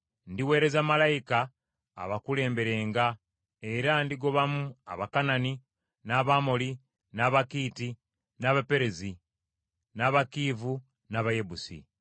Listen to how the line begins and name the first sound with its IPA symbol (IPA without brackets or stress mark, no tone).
n